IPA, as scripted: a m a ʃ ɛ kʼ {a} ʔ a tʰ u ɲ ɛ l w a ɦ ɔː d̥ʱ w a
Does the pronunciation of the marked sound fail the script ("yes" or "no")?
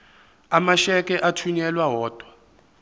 yes